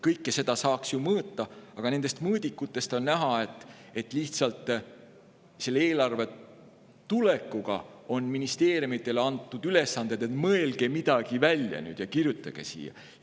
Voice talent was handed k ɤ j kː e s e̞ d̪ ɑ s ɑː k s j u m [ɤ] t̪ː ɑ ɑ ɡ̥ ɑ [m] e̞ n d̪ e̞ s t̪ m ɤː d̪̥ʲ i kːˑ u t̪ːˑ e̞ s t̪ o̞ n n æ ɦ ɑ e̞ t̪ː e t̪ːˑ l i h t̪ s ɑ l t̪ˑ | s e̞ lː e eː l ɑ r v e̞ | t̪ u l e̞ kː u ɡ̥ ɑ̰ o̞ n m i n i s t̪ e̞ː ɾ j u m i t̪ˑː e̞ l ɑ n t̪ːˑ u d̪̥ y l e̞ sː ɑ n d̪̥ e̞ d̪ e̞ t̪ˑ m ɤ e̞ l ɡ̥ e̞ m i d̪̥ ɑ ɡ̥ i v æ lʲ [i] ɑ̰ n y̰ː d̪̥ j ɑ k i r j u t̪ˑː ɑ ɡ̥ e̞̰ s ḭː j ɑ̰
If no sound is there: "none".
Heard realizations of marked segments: ɤː, n, j

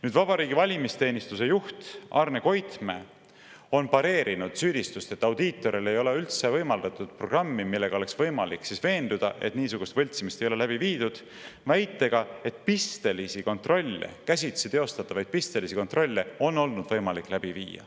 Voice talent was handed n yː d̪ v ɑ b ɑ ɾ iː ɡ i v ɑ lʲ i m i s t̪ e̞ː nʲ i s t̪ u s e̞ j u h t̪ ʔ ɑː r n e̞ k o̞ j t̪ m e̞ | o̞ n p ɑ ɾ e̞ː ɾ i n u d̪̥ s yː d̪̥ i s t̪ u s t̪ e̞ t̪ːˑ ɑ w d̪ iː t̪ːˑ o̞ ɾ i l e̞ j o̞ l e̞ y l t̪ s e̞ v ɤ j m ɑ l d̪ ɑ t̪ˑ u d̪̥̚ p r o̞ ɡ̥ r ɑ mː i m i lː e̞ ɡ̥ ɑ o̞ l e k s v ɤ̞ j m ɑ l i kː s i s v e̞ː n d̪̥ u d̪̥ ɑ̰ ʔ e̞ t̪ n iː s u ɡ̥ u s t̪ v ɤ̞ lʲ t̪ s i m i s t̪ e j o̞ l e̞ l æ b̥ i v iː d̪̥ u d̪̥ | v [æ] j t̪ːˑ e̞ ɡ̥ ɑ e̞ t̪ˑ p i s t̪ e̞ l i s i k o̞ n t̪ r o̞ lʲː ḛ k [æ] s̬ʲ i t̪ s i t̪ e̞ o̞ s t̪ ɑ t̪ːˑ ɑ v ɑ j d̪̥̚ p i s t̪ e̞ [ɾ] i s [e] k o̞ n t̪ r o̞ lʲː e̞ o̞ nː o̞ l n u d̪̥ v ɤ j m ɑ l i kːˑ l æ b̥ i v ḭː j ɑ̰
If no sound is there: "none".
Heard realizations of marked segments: æ, æ, l, i

